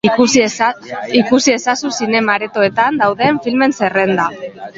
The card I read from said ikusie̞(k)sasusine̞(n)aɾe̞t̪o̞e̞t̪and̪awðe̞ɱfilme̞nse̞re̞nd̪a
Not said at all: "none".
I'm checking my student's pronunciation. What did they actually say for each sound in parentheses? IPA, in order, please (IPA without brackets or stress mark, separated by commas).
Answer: none, m